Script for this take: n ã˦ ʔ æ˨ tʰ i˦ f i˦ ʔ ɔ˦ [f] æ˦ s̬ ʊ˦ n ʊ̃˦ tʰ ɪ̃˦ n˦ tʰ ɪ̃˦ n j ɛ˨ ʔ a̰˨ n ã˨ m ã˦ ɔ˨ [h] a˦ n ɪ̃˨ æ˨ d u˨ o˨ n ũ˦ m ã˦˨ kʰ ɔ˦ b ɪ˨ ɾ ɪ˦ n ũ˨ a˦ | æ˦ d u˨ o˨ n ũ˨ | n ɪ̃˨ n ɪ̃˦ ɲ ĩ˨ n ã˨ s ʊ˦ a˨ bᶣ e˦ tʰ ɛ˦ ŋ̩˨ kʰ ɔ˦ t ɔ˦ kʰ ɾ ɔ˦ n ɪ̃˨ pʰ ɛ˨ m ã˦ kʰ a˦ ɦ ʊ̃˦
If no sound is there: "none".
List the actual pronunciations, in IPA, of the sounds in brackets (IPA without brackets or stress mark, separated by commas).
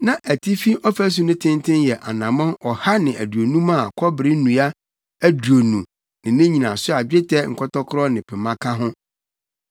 f, h